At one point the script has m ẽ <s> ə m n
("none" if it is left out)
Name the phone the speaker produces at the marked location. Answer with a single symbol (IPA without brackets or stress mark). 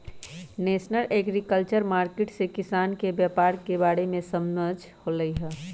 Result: s